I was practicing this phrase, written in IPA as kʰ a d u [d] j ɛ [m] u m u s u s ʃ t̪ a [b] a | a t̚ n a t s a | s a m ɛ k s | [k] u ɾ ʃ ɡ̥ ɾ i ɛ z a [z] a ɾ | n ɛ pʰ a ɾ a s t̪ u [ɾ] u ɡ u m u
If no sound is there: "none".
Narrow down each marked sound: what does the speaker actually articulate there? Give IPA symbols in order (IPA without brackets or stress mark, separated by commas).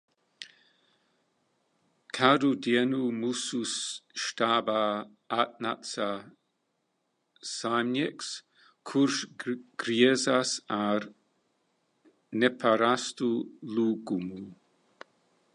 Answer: d, n, b, kʰ, s, l